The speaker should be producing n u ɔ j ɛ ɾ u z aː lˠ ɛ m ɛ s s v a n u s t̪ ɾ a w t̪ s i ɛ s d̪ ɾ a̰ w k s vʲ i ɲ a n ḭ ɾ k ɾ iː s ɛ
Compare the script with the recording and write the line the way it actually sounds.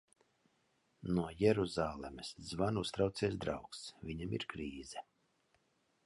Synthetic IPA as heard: n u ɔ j ɛ ɾ u z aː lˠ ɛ m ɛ s z v a n u s t̪ ɾ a w t̪ s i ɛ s d̪ ɾ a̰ w k s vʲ i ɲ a m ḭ ɾ k ɾ iː z ɛ